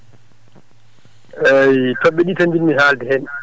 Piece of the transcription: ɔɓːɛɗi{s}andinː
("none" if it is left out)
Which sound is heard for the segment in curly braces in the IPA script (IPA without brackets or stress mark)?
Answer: t